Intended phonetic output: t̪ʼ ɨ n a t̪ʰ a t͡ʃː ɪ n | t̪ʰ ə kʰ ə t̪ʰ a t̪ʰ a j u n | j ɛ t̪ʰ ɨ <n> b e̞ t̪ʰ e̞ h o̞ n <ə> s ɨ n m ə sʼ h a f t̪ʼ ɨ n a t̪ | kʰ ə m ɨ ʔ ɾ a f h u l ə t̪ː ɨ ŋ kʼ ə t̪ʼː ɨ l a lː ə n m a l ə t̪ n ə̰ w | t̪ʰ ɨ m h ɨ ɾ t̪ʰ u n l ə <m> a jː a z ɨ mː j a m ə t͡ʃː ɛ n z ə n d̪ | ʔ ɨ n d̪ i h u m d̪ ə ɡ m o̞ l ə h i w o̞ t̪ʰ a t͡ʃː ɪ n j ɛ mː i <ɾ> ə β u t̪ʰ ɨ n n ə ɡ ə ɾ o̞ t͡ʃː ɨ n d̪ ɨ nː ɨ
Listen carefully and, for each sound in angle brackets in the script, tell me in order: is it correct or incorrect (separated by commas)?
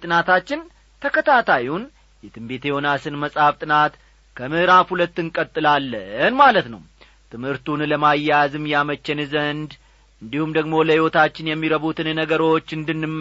incorrect, incorrect, correct, correct